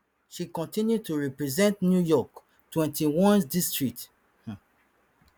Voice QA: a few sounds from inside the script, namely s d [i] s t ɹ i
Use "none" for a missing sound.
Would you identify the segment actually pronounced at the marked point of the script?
i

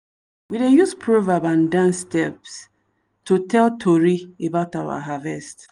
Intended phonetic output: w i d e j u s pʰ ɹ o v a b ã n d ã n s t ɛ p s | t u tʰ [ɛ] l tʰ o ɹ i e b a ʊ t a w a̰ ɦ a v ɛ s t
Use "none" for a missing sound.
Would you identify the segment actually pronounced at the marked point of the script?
ɛ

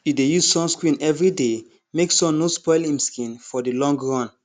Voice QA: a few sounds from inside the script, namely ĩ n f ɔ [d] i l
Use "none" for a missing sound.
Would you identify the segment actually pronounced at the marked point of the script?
d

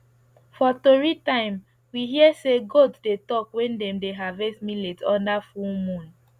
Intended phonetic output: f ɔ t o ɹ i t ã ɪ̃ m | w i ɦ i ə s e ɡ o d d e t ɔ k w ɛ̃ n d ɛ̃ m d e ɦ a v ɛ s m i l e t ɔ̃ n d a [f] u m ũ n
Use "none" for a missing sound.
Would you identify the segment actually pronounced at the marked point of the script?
f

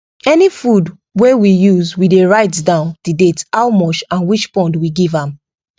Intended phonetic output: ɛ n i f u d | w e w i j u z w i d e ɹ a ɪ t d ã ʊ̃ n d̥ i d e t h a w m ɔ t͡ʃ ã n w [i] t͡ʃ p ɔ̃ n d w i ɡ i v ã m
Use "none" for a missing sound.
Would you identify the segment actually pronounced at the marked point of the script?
i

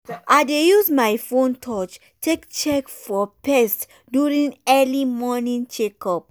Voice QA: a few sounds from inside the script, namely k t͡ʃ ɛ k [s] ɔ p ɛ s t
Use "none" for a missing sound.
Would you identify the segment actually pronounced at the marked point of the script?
f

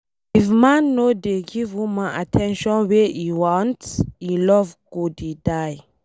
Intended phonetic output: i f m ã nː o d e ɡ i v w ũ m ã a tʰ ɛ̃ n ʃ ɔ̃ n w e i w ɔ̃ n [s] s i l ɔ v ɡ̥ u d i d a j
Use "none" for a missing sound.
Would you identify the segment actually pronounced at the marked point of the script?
t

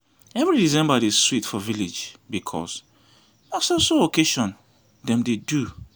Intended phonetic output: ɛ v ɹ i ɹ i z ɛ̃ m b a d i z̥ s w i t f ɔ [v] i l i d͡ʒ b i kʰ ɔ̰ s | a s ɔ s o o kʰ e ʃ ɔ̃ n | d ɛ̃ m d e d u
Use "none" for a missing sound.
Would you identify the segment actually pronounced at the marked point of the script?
v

